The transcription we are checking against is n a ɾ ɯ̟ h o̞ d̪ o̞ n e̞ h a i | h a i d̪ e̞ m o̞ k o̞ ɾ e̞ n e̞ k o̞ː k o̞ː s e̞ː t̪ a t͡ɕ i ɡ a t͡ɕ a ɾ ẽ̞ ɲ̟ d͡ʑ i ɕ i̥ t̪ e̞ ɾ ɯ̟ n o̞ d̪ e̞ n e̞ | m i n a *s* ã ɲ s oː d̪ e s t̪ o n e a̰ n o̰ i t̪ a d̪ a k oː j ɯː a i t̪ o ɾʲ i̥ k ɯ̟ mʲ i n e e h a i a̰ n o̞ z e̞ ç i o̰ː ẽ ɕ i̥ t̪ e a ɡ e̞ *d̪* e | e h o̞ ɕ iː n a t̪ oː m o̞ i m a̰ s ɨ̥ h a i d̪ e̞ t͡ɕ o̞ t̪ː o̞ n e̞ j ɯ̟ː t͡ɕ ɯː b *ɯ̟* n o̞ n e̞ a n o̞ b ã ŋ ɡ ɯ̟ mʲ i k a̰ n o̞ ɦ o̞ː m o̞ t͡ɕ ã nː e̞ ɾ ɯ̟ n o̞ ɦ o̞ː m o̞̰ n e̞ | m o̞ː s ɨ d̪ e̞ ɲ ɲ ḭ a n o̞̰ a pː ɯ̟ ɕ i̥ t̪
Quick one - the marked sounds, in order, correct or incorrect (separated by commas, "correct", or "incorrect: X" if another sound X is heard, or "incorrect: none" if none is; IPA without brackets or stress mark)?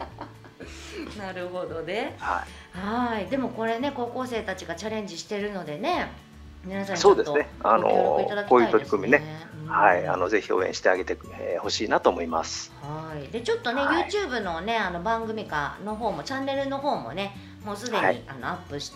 correct, incorrect: t̪, correct